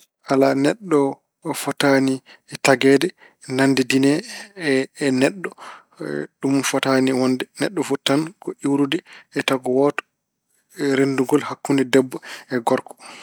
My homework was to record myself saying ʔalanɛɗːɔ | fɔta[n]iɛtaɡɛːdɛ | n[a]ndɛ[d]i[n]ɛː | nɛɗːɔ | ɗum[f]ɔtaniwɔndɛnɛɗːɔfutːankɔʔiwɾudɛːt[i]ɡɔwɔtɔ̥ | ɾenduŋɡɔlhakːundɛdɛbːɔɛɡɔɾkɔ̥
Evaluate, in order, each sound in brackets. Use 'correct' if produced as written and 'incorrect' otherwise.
correct, correct, correct, correct, correct, incorrect

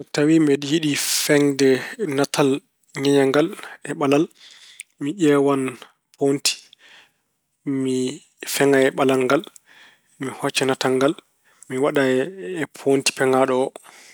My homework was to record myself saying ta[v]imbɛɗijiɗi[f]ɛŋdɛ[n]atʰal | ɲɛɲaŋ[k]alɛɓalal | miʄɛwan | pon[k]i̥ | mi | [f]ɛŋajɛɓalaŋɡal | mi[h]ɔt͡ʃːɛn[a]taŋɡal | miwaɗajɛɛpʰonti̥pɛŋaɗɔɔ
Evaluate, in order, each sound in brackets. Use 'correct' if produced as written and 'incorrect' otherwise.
incorrect, correct, correct, incorrect, incorrect, correct, correct, correct

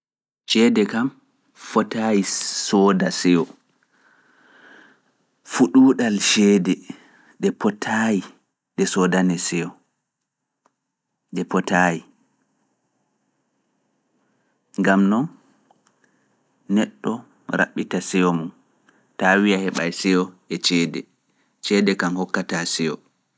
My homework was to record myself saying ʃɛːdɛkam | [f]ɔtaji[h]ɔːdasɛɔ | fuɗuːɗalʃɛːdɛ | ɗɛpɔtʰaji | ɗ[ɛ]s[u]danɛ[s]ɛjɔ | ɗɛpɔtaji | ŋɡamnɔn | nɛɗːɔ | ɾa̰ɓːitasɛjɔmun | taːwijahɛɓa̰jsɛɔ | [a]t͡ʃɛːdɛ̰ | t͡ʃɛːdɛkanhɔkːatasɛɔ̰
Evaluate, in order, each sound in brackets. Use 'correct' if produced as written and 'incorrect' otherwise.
correct, incorrect, correct, incorrect, correct, incorrect

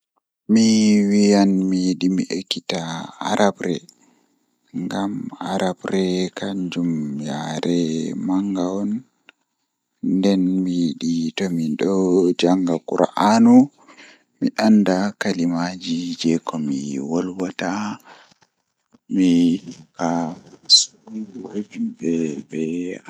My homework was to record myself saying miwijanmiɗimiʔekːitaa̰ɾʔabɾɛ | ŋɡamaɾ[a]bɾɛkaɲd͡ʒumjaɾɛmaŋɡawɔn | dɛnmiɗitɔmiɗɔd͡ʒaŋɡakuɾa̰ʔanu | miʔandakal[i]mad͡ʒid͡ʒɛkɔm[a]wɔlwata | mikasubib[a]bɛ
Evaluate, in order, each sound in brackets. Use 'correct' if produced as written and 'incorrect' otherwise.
correct, correct, incorrect, incorrect

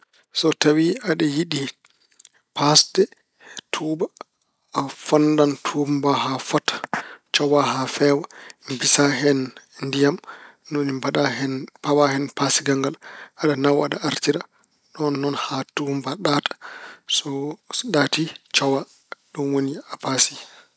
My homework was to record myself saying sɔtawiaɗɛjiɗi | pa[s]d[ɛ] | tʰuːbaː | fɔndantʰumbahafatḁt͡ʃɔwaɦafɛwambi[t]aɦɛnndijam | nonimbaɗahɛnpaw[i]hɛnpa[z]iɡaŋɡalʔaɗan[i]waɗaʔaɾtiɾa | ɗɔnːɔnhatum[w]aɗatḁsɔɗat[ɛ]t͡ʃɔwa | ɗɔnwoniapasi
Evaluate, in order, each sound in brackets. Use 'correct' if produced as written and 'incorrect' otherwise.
correct, correct, incorrect, incorrect, incorrect, incorrect, incorrect, incorrect

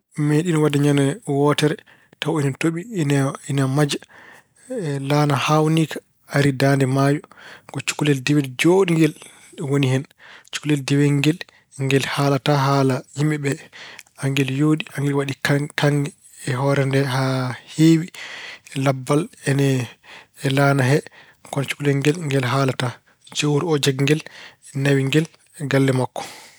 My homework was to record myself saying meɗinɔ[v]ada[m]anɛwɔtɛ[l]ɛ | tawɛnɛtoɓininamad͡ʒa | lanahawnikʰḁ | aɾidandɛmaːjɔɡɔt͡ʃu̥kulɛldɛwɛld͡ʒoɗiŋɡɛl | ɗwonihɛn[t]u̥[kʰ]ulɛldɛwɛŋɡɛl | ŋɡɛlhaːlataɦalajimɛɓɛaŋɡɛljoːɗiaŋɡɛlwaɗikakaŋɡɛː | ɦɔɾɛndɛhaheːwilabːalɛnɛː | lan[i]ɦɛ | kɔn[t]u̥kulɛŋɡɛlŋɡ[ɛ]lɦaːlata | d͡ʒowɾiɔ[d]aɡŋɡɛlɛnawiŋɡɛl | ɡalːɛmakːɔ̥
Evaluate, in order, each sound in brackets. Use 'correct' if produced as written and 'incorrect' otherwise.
incorrect, incorrect, incorrect, incorrect, incorrect, incorrect, incorrect, correct, incorrect

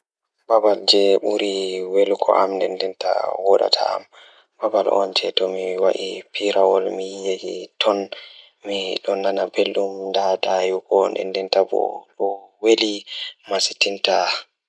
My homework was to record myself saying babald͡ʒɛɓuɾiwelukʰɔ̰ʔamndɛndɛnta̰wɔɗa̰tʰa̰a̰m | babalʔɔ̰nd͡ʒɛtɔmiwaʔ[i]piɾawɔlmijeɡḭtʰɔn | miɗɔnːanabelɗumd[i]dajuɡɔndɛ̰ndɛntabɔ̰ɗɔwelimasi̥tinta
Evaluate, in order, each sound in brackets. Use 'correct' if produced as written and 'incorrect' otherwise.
correct, incorrect

